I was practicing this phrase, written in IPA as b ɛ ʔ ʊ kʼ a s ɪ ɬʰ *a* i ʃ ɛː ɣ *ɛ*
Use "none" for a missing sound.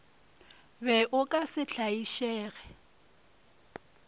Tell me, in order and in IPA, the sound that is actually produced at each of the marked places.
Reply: a, ɛ

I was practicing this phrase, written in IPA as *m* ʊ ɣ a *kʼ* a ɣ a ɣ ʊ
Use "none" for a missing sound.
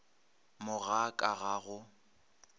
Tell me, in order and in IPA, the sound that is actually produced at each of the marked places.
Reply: m, kʼ

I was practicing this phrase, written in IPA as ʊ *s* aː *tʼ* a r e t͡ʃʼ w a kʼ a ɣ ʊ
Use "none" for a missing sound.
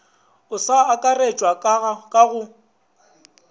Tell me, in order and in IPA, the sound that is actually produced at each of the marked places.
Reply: s, kʼ

